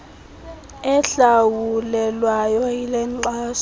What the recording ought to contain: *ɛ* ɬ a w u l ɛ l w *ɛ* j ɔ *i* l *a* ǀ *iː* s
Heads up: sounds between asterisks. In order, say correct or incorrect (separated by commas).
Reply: correct, incorrect, correct, incorrect, incorrect